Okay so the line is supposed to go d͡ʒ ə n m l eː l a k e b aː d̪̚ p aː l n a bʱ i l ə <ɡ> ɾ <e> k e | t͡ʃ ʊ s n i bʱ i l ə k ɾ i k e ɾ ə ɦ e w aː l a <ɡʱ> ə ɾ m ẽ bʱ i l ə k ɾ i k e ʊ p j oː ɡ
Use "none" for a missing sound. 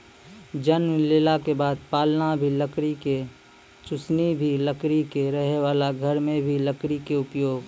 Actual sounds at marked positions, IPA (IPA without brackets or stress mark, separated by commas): k, i, ɡʱ